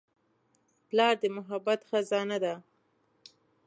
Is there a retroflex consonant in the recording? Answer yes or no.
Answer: no